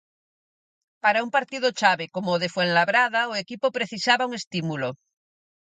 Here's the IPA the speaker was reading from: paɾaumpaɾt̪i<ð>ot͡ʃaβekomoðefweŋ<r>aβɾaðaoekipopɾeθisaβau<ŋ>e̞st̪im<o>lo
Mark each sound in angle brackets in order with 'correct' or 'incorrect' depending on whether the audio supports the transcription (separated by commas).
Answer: correct, incorrect, correct, incorrect